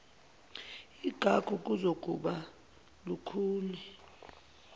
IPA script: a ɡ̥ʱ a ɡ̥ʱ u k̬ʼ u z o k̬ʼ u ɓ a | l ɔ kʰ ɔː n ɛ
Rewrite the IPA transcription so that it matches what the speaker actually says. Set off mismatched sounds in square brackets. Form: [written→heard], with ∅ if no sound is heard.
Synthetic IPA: [a→i] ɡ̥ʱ a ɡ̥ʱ u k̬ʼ u z o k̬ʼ u ɓ a | l [ɔ→u] kʰ [ɔː→uː] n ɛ